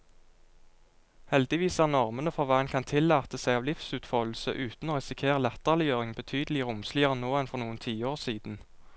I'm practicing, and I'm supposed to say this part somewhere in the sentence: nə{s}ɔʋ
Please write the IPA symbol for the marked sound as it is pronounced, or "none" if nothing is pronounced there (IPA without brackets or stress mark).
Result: f